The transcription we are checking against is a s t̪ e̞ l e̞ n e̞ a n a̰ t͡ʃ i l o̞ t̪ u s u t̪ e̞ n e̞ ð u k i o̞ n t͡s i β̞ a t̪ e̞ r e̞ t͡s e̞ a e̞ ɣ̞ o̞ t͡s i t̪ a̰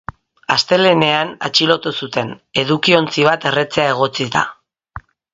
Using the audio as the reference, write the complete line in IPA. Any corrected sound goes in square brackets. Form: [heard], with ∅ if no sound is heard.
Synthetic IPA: a s t̪ e̞ l e̞ n e̞ a n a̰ t͡ʃ i l o̞ t̪ u s u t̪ e̞ n e̞ ð u k i o̞ n t͡s i β̞ a t̪ e̞ r e̞ t͡s e̞ a e̞ ɣ̞ o̞ t͡s i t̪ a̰

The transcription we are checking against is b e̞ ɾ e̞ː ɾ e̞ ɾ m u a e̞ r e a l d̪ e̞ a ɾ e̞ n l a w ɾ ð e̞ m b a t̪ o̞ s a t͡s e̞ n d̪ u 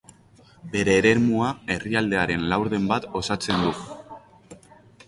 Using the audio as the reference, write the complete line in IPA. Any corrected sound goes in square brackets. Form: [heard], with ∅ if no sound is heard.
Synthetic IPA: b e̞ ɾ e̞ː ɾ e̞ ɾ m u a e̞ r [i] a l d̪ e̞ a ɾ e̞ n l a w ɾ ð e̞ m b a t̪ o̞ s a t͡s e̞ n d̪ u

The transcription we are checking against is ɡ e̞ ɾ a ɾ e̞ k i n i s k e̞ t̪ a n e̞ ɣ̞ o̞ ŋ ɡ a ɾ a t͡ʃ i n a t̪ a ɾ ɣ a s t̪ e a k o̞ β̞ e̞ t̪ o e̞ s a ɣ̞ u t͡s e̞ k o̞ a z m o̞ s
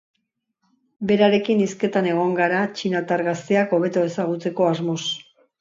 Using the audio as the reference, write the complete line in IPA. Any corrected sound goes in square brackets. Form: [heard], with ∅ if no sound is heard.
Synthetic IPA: [b] e̞ ɾ a ɾ e̞ k i n i s k e̞ t̪ a n e̞ ɣ̞ o̞ ŋ ɡ a ɾ a t͡ʃ i n a t̪ a ɾ ɣ a s t̪ e a k o̞ β̞ e̞ t̪ o e̞ s a ɣ̞ u t͡s e̞ k o̞ a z m o̞ s

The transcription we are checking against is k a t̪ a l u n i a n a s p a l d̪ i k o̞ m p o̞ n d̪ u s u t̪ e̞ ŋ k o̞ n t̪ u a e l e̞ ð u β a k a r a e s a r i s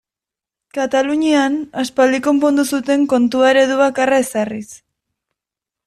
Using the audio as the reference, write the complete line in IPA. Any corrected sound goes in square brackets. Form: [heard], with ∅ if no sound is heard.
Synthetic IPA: k a t̪ a l u [ɲ] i a n a s p a l d̪ i k o̞ m p o̞ n d̪ u s u t̪ e̞ ŋ k o̞ n t̪ u a e [ɾ] e̞ ð u β a k a r a e s a r i s

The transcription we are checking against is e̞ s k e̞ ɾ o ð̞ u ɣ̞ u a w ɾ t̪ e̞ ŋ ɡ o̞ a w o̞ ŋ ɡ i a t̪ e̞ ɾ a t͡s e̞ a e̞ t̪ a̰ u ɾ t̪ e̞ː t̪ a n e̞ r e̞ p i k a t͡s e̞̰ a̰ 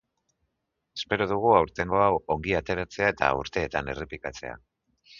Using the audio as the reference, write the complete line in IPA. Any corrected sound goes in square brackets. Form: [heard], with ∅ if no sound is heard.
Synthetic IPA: e̞ s [p] e̞ ɾ o ð̞ u ɣ̞ u a w ɾ t̪ e̞ ŋ ɡ o̞ a w o̞ ŋ ɡ i a t̪ e̞ ɾ a t͡s e̞ a e̞ t̪ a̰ u ɾ t̪ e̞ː t̪ a n e̞ r e̞ p i k a t͡s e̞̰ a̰

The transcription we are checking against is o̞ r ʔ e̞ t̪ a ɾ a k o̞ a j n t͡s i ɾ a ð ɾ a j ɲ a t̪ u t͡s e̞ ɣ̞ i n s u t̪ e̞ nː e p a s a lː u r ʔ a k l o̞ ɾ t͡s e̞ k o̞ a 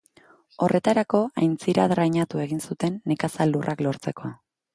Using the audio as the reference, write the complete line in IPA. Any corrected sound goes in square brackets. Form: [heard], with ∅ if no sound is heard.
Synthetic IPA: o̞ r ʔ e̞ t̪ a ɾ a k o̞ a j n t͡s i ɾ a ð ɾ a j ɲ a t̪ u [∅] e̞ ɣ̞ i n s u t̪ e̞ nː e [k] a s a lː u r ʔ a k l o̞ ɾ t͡s e̞ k o̞ a

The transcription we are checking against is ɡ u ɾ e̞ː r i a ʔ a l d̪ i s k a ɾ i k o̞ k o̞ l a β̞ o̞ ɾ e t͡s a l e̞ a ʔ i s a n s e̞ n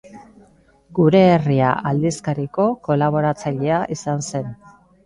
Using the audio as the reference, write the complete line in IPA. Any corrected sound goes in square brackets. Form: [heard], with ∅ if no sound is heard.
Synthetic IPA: ɡ u ɾ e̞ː r i a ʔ a l d̪ i s k a ɾ i k o̞ k o̞ l a β̞ o̞ ɾ [a] t͡s a [ʎ] e̞ a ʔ i s a n s e̞ n

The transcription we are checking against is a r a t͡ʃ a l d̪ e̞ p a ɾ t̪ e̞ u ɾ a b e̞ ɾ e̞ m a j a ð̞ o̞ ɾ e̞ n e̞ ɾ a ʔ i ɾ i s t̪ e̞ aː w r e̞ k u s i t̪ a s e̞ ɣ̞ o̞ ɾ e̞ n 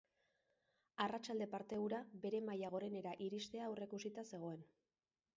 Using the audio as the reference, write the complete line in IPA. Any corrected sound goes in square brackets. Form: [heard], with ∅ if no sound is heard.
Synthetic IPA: a r a t͡ʃ a l d̪ e̞ p a ɾ t̪ e̞ u ɾ a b e̞ ɾ e̞ m a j a [ɣ̞] o̞ ɾ e̞ n e̞ ɾ a ʔ i ɾ i s t̪ e̞ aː w r e̞ k u s i t̪ a s e̞ ɣ̞ o̞ [∅] e̞ n

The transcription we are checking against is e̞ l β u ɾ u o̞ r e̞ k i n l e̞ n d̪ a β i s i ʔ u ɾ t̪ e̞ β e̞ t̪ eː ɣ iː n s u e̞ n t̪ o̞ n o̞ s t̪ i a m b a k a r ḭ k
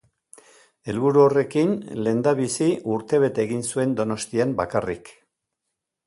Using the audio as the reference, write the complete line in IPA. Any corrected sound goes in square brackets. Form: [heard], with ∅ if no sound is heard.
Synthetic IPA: e̞ l β u ɾ u o̞ r e̞ k i n l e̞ n d̪ a β i s i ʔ u ɾ t̪ e̞ β e̞ t̪ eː ɣ [i] n s u e̞ n [d̪] o̞ n o̞ s t̪ i a m b a k a r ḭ k

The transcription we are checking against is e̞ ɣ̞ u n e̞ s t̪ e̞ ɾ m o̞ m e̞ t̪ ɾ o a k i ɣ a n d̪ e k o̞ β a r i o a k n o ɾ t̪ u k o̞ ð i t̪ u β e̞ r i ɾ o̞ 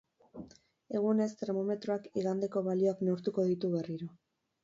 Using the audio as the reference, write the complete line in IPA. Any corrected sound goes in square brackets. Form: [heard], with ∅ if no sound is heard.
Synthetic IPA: e̞ ɣ̞ u n e̞ s t̪ e̞ ɾ m o̞ m e̞ t̪ ɾ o a k i ɣ a n d̪ e k o̞ β a [l] i o a k n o ɾ t̪ u k o̞ ð i t̪ u β e̞ r i ɾ o̞

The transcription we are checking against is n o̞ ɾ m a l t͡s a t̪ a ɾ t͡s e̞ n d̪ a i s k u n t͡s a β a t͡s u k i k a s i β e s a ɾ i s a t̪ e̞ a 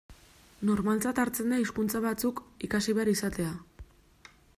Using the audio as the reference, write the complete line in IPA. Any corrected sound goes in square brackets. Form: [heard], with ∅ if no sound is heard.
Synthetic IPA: n o̞ ɾ m a l t͡s a t̪ a ɾ t͡s e̞ n d̪ a i s k u n t͡s a β a t͡s u k i k a s i β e [∅] a ɾ i s a t̪ e̞ a

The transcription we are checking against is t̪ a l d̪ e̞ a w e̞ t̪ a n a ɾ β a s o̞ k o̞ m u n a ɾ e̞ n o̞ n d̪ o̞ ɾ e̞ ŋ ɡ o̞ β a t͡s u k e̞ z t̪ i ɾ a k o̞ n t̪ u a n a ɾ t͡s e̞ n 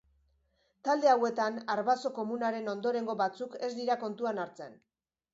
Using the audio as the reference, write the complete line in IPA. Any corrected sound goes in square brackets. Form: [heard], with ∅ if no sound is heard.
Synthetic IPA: t̪ a l d̪ e̞ a w e̞ t̪ a n a ɾ β a s o̞ k o̞ m u n a ɾ e̞ n o̞ n d̪ o̞ ɾ e̞ ŋ ɡ o̞ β a t͡s u k e̞ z [d̪] i ɾ a k o̞ n t̪ u a n a ɾ t͡s e̞ n

